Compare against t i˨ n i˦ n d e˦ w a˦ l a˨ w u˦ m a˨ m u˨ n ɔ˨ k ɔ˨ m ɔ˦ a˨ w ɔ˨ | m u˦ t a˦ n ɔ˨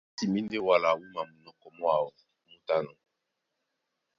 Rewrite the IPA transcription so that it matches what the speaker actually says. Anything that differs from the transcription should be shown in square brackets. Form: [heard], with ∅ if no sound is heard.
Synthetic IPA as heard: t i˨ [m] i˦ n d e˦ w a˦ l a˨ w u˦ m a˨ m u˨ n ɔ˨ k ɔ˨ m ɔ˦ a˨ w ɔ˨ | m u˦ t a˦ n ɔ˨